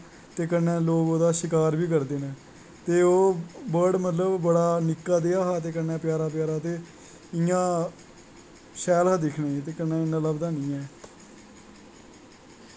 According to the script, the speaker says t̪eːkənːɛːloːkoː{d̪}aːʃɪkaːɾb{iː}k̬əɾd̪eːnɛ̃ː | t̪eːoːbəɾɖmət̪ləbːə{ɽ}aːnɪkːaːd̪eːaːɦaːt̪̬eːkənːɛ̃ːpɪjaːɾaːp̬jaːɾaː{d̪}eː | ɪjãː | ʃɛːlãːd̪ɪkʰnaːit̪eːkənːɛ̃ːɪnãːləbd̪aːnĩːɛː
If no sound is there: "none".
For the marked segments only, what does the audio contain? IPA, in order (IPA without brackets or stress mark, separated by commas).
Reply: d̪, iː, ɽ, t̪